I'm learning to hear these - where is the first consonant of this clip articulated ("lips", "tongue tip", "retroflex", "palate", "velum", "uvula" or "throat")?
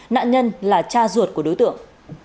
tongue tip